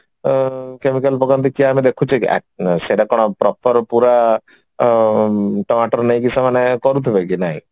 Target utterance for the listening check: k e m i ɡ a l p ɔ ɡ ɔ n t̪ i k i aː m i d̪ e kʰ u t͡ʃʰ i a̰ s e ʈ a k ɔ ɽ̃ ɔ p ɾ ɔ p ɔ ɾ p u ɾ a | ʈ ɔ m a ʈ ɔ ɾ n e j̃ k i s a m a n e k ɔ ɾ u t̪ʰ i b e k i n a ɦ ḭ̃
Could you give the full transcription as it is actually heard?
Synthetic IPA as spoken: k e m i k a l p ɔ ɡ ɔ n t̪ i k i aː m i d̪ e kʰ u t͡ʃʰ i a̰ s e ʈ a k ɔ ɽ̃ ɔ p ɾ ɔ p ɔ ɾ p u ɾ a | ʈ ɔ m a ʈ ɔ ɾ n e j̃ k i s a m a n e k ɔ ɾ u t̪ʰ i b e k i n a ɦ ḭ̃

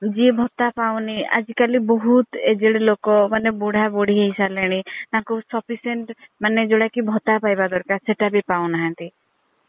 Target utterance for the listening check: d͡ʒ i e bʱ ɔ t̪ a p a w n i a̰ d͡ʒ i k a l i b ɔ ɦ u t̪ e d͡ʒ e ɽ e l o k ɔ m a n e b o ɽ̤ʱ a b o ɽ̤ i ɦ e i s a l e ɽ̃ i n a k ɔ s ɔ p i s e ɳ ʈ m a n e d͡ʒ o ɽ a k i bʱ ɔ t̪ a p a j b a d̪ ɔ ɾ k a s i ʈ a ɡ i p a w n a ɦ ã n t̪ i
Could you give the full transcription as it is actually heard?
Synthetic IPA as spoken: d͡ʒ i e bʱ ɔ t̪ a p a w n i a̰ d͡ʒ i k a l i b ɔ ɦ u t̪ e d͡ʒ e ɽ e l o k ɔ m a n e b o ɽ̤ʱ a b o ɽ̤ i ɦ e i s a l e ɽ̃ i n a k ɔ s ɔ p i s e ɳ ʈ m a n e d͡ʒ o ɽ a k i bʱ ɔ t̪ a p a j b a d̪ ɔ ɾ k a s e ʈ a b i p a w n a ɦ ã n t̪ i

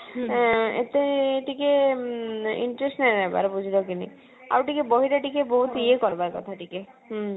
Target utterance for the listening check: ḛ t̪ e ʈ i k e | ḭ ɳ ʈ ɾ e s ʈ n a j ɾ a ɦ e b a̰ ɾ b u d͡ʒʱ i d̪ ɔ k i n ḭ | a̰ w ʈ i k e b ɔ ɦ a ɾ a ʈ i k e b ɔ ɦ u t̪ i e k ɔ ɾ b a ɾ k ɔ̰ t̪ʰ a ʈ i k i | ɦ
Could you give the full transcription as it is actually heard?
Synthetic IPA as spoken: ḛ t̪ e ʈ i k e | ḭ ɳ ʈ ɾ e s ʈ n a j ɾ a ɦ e b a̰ ɾ b u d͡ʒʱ i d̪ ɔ k i n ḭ | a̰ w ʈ i k e b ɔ ɦ i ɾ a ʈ i k e b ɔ ɦ u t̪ i e k ɔ ɾ b a ɾ k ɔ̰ t̪ʰ a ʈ i k e | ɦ

